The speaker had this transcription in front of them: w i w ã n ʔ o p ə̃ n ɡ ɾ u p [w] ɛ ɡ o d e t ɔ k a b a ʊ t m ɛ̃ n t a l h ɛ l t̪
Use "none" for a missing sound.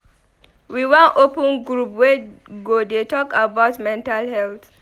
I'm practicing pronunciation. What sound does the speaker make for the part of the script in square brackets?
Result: w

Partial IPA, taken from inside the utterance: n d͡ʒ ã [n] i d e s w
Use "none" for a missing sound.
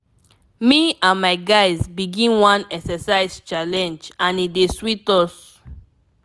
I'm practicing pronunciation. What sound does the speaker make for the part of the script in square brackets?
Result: n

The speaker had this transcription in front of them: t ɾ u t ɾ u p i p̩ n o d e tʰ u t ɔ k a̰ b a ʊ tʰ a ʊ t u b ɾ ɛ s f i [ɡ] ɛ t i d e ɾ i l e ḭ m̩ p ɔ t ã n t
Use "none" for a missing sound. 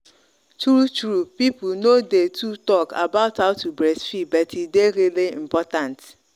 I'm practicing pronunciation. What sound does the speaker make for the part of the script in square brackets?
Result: b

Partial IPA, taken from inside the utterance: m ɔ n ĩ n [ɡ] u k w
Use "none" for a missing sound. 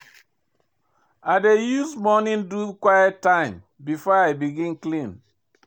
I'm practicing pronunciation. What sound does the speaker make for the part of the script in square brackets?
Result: d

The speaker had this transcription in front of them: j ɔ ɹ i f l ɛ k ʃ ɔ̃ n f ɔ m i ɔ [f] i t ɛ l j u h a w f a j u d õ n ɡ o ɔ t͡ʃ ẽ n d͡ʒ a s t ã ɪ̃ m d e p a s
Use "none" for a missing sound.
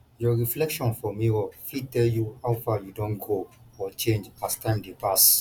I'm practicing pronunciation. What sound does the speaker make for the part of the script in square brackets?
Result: f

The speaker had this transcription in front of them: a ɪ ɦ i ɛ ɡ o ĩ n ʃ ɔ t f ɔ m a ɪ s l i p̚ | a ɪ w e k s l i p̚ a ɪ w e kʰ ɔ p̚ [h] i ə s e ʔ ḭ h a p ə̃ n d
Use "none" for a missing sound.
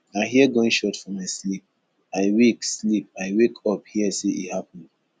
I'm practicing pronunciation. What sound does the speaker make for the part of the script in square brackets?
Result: h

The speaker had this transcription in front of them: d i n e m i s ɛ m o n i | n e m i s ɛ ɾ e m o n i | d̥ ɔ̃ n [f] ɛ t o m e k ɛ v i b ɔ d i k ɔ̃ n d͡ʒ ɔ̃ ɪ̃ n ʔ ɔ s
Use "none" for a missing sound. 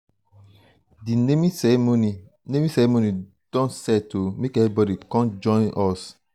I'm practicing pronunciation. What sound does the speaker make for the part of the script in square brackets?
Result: s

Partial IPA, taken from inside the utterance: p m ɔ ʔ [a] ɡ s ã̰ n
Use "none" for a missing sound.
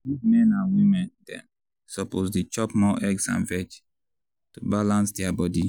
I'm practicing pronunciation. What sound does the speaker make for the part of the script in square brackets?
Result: ɛ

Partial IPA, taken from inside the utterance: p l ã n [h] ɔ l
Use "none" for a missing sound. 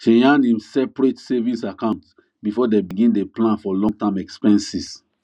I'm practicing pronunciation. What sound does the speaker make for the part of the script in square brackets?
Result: f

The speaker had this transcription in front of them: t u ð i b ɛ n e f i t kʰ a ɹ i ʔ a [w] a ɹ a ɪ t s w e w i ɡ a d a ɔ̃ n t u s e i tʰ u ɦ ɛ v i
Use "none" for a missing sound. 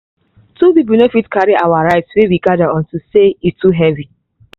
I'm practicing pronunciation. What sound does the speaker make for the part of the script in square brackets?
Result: w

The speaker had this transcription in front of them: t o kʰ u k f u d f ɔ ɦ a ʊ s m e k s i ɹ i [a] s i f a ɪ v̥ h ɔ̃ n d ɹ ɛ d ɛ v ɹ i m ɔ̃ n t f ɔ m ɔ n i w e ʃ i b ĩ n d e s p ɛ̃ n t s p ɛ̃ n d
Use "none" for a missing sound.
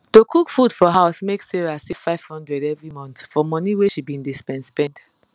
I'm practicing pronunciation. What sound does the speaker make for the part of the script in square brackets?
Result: a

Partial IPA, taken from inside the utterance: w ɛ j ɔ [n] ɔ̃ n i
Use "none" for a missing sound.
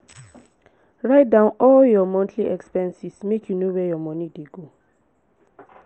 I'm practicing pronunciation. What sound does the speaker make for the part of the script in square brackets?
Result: m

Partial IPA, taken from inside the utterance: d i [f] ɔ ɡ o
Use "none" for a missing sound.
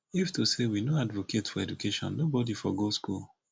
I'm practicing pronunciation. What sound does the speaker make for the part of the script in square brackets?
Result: f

